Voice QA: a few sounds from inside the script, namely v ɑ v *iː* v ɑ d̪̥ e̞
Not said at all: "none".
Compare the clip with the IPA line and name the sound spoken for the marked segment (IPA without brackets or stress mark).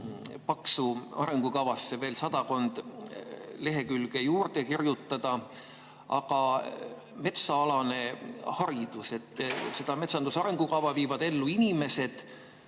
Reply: iː